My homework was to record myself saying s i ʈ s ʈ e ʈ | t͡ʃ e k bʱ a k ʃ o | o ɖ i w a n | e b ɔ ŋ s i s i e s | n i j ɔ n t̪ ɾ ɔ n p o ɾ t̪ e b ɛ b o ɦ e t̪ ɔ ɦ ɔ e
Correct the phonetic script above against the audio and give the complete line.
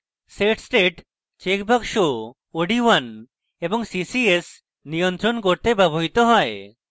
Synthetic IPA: s e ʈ s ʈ e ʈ | t͡ʃ e k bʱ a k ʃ o | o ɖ i w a n | e b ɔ ŋ s i s i e s | n i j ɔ n t̪ ɾ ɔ n k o ɾ t̪ e b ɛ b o ɦ i t̪ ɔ ɦ ɔ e